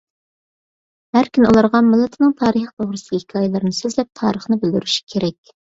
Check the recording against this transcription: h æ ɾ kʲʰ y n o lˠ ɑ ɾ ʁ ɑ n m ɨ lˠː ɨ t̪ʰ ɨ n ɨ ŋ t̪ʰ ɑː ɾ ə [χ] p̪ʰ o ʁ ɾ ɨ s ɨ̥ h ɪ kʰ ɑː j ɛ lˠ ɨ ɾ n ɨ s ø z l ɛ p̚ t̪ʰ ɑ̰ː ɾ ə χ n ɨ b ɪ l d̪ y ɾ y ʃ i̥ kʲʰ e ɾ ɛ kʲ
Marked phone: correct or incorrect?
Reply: correct